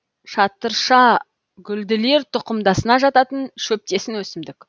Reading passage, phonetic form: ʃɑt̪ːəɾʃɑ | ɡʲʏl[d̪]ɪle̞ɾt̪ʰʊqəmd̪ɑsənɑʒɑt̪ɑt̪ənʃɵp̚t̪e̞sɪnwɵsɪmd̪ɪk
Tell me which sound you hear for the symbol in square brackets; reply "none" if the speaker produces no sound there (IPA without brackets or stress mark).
d̪